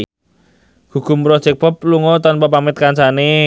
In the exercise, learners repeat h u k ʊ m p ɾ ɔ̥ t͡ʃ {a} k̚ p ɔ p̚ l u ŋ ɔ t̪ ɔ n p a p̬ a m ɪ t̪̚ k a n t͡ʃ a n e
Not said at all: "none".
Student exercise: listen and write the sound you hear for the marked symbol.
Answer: ɛ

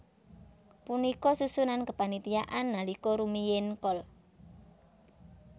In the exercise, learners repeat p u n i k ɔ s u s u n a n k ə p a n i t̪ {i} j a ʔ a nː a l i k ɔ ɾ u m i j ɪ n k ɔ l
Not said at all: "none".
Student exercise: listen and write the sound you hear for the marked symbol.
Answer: i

